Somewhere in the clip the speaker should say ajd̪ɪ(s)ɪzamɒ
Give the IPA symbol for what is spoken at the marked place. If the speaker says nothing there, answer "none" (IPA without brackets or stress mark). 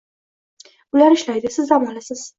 s